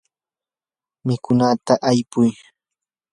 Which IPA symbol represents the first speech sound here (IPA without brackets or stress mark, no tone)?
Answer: m